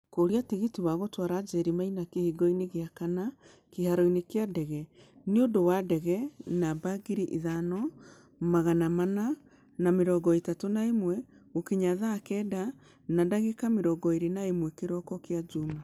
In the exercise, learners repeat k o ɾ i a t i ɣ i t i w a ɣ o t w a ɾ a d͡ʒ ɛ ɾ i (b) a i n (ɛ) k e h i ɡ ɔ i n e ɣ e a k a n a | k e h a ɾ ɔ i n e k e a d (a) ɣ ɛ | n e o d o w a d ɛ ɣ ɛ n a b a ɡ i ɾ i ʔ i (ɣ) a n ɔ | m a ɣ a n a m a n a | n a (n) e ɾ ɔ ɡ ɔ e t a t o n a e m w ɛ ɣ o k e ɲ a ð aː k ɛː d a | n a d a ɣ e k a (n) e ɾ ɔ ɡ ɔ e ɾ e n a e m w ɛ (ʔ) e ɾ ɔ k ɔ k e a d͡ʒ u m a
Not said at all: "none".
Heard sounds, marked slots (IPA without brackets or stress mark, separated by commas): m, a, ɛ, ð, m, m, k